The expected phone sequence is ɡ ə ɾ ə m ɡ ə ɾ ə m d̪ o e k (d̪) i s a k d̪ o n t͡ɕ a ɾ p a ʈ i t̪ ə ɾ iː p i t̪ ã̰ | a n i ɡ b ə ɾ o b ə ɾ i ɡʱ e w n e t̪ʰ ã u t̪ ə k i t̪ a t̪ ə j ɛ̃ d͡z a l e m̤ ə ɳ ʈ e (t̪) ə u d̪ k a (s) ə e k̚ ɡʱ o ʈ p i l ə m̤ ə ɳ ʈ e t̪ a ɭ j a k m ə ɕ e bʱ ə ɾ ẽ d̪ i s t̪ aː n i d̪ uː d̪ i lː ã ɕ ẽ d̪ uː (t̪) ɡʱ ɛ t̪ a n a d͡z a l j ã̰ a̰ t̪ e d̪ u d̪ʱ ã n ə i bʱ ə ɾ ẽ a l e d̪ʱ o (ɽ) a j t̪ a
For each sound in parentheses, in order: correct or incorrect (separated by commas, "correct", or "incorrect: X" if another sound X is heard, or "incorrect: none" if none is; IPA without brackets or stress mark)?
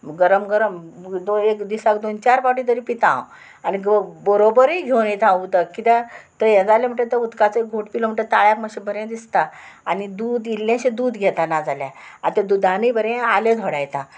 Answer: correct, correct, incorrect: t͡s, incorrect: d̪, correct